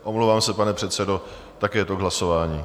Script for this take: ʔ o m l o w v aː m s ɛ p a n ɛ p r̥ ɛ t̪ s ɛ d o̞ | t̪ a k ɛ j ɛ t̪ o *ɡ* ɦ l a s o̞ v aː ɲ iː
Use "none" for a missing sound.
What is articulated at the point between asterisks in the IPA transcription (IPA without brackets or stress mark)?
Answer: ɡ